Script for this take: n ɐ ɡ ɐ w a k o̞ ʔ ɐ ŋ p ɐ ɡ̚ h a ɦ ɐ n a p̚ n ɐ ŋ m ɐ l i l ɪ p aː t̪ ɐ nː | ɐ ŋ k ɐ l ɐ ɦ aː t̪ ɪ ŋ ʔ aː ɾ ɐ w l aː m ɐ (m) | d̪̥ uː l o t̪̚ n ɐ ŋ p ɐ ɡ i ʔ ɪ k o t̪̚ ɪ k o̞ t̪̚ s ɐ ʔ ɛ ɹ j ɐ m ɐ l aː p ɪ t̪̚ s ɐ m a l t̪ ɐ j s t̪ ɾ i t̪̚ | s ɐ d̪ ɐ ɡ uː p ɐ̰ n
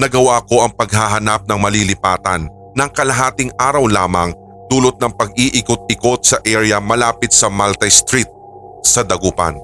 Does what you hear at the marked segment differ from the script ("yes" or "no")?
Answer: yes